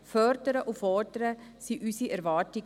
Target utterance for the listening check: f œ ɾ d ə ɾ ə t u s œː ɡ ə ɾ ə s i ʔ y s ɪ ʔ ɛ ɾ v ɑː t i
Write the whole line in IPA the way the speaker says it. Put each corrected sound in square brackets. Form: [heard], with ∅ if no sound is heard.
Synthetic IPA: f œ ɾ d ə ɾ ə [ʔ] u [f] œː [d] ə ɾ ə s i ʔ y s [i] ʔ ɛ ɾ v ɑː t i